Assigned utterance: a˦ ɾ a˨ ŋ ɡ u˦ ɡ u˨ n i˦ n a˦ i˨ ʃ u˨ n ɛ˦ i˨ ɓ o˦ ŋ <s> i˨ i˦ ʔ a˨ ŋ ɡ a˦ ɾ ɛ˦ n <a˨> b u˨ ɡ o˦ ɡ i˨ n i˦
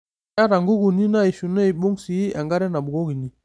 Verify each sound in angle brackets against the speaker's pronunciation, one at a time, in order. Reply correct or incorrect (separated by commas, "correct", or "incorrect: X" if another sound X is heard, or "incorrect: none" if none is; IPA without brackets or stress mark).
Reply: correct, correct